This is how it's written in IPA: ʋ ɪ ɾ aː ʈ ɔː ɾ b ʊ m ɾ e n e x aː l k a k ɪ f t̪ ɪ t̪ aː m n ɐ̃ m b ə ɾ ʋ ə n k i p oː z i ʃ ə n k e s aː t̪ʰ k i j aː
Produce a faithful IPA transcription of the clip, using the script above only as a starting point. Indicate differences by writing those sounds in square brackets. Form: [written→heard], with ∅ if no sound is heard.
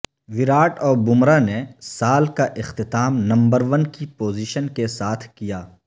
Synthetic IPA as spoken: ʋ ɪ ɾ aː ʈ ɔː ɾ b ʊ m ɾ [e→a] n e [x→s] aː l k a [k→ʔ] ɪ [f→x] t̪ ɪ t̪ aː m n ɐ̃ m b ə ɾ ʋ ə n k i p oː z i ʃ ə n k e s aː t̪ʰ k i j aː